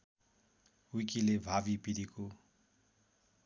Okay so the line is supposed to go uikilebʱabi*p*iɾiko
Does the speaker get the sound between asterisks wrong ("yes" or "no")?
no